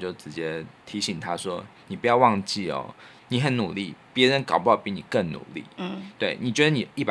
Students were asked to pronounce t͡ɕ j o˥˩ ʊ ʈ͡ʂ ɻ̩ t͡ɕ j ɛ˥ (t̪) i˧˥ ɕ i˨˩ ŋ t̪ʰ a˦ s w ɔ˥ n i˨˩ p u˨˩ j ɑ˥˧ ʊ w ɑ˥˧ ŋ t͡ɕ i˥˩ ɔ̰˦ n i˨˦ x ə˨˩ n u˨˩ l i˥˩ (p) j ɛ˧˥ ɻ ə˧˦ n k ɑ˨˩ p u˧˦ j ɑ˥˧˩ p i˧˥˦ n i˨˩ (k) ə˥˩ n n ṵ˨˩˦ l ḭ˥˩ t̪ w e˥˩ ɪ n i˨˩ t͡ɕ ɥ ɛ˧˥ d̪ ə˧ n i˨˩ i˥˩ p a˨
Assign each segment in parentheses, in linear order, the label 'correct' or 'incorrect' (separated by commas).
incorrect, correct, correct